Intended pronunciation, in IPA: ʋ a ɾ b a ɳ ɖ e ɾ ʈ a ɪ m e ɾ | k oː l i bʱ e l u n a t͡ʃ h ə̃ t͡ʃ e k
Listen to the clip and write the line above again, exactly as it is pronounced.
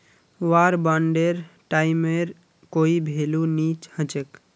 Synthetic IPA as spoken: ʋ a ɾ b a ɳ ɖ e ɾ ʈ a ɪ m e ɾ | k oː i bʱ e l u n i t͡ʃ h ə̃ t͡ʃ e k